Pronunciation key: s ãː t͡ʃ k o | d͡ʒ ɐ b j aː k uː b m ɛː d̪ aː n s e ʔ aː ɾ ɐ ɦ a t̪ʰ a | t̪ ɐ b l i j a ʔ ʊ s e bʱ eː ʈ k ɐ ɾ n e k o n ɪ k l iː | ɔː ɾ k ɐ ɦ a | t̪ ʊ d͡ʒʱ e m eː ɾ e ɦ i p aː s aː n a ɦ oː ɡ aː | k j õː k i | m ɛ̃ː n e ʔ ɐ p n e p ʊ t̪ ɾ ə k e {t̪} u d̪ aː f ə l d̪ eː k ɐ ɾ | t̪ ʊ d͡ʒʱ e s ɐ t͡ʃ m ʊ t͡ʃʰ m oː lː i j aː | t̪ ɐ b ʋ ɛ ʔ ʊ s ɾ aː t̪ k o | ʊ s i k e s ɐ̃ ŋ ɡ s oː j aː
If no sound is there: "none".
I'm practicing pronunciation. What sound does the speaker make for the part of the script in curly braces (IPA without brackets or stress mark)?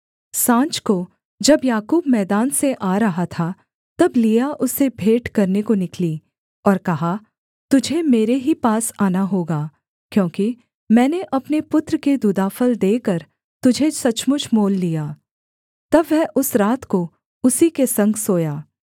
d̪